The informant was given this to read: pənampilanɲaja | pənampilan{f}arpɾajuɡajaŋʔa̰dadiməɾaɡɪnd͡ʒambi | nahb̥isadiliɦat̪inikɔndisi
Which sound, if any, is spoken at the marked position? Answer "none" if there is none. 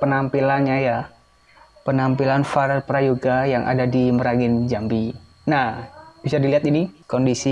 f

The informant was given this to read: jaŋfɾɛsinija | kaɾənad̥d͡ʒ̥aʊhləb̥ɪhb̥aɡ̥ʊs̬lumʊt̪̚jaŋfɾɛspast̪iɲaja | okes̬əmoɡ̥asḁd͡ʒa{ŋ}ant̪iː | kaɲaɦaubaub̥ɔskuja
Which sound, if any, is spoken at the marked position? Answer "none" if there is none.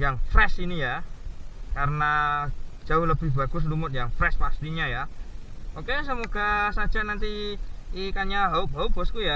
n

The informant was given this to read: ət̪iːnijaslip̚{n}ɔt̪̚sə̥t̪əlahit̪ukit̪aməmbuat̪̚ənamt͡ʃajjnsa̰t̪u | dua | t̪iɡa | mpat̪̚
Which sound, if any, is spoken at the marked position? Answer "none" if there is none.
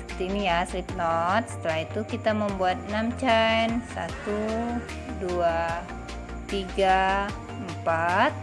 n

